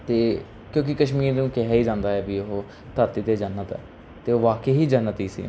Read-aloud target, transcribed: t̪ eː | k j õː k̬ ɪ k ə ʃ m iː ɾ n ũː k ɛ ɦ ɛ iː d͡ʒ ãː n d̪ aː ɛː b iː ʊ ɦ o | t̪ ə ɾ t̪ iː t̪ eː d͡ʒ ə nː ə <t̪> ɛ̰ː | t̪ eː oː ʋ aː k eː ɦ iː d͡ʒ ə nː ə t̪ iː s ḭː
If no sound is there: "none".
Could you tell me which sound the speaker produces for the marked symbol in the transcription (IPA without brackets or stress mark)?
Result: t̪